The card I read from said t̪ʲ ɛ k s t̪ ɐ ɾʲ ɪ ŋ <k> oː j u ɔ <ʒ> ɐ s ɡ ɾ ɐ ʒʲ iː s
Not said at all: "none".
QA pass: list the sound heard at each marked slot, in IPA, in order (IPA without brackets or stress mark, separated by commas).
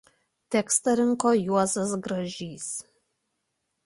k, z